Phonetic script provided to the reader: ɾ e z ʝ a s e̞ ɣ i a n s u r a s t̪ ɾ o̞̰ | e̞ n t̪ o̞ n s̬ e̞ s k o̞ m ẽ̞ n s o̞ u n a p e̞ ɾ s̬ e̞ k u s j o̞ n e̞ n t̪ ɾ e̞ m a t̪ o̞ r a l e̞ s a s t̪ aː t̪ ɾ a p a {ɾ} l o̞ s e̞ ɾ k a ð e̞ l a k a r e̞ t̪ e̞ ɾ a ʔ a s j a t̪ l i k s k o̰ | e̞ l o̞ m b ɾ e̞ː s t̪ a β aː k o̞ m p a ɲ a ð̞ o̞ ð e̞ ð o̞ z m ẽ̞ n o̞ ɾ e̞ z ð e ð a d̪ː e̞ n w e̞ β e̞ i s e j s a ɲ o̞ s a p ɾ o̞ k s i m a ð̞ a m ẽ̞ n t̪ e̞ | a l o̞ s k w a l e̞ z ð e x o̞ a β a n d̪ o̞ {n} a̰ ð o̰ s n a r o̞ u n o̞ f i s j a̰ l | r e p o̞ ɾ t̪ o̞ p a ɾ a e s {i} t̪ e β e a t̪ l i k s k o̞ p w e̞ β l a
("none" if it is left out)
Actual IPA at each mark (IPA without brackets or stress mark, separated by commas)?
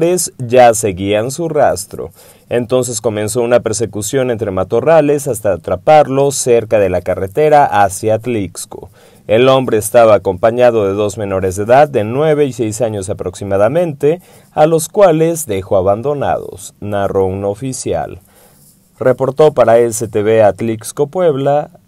ɾ, n, e